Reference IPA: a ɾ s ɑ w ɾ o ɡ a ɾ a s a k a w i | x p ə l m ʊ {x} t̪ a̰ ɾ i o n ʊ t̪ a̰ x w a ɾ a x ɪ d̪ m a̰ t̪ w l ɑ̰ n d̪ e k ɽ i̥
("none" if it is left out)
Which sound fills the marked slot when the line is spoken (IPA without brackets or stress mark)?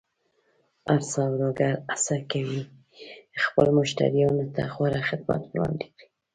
ʃ